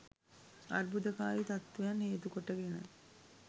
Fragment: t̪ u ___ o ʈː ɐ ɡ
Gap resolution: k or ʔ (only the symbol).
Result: k